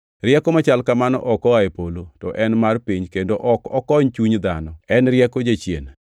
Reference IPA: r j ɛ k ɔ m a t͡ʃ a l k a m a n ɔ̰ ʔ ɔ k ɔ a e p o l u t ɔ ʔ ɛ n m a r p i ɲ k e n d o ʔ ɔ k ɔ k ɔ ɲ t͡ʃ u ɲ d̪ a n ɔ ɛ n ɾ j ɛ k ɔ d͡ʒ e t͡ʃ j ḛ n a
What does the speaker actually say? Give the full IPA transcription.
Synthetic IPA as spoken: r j ɛ k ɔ m a t͡ʃ a l k a m a n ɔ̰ ʔ ɔ k ɔ a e p o l o t ɔ ʔ ɛ n m a r p i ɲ k e n d o ʔ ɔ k ɔ k ɔ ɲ t͡ʃ u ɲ d̪ a n ɔ ɛ n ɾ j ɛ k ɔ d͡ʒ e t͡ʃ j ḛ n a